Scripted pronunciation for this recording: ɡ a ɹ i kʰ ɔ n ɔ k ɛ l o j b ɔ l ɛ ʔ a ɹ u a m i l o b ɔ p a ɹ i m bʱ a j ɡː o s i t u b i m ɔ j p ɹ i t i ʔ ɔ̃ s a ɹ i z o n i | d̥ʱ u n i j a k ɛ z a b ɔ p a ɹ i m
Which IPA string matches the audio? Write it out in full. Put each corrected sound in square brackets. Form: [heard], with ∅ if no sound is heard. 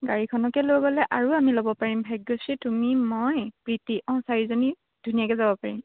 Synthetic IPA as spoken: ɡ a ɹ i kʰ ɔ n ɔ k ɛ l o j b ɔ l ɛ ʔ a ɹ u a m i l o b ɔ p a ɹ i m bʱ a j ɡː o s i t u [m] i m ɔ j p ɹ i t i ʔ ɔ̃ s a ɹ i z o n i | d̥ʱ u n i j a k ɛ z a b ɔ p a ɹ i m